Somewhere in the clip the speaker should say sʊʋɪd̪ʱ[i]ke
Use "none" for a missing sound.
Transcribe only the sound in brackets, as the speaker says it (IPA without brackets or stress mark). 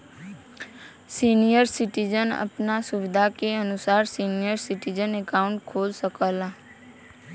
a